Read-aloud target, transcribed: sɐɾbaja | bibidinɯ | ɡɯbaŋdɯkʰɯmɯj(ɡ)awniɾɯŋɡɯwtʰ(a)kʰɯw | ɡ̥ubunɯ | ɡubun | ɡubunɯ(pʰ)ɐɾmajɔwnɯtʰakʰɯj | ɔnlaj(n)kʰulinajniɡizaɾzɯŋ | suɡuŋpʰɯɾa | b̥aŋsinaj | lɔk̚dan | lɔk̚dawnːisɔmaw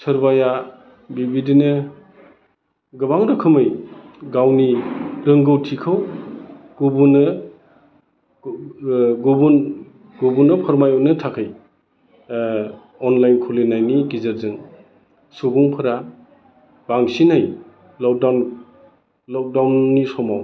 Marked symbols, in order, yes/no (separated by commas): yes, no, yes, yes